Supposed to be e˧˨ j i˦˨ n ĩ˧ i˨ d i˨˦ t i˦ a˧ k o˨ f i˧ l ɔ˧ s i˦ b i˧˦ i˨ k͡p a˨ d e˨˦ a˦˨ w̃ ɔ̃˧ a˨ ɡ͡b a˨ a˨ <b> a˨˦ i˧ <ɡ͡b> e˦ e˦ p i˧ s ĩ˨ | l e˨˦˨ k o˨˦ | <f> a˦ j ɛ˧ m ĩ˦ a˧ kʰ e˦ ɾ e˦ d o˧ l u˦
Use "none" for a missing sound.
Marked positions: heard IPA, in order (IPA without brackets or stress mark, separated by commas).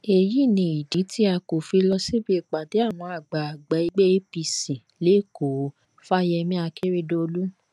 ɡ͡b, ɡ͡b, f